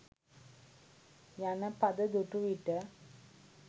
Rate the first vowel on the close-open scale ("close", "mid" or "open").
open